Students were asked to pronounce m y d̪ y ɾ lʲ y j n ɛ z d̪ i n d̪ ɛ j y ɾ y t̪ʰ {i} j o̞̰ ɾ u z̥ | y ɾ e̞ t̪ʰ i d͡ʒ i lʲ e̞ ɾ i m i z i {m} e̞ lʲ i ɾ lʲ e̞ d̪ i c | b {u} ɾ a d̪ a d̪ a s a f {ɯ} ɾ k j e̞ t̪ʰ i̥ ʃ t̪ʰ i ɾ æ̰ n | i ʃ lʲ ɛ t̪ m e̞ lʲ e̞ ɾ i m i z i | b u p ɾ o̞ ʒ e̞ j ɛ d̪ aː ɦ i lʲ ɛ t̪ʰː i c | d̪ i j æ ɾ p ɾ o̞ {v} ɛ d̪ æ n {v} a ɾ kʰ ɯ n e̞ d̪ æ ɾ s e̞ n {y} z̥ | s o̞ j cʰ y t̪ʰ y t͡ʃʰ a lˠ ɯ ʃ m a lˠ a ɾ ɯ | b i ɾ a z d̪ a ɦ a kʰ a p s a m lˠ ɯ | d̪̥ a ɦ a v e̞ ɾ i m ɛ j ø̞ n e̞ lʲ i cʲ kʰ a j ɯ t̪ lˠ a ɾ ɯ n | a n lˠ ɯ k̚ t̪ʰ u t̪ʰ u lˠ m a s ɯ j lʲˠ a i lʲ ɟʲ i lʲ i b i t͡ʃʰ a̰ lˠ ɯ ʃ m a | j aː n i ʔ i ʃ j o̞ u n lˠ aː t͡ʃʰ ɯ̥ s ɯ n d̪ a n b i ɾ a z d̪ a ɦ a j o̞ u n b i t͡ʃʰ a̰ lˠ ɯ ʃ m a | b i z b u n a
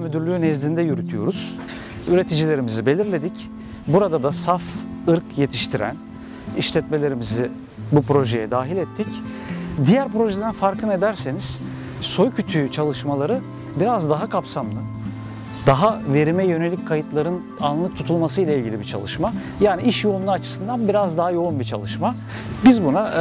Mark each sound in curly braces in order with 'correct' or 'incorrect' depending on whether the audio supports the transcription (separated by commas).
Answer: incorrect, incorrect, correct, correct, incorrect, incorrect, incorrect